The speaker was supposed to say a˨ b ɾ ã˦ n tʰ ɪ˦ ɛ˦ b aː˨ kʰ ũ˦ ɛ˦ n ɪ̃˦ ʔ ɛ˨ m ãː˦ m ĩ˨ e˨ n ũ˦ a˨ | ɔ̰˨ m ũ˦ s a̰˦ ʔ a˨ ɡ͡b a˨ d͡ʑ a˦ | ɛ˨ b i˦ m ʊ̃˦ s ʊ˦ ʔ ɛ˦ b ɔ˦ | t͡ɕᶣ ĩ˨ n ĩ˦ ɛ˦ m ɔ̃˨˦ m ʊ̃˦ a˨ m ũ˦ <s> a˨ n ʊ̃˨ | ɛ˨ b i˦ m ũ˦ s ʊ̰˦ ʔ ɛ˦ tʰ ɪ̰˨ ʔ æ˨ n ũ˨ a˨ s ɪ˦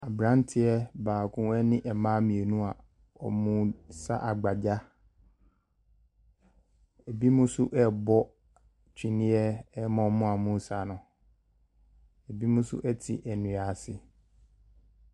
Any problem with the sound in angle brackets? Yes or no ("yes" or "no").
no